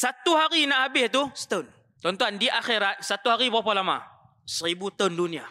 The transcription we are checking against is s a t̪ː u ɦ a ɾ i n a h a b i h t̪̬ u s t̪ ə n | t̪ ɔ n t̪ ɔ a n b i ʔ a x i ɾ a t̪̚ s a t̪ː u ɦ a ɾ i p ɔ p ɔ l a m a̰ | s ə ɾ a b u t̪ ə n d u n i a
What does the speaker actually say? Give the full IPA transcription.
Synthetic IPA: s a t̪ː u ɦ a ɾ i n a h a b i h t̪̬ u s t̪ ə n | t̪ ɔ n t̪ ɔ a n d i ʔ a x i ɾ a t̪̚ s a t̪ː u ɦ a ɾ i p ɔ p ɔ l a m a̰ | s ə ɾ i b u t̪ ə n d u n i a